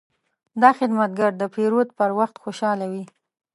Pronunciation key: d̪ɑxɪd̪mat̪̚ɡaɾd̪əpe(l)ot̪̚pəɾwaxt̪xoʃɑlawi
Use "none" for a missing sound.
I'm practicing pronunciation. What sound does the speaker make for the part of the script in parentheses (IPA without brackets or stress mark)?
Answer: ɾ